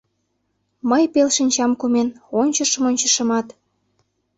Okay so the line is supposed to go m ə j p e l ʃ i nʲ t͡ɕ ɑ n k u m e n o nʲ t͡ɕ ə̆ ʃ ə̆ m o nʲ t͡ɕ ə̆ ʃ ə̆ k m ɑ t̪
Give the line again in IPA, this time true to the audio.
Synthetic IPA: m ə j p e l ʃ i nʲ t͡ɕ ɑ m k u m e n o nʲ t͡ɕ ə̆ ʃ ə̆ m o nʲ t͡ɕ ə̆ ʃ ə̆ m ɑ t̪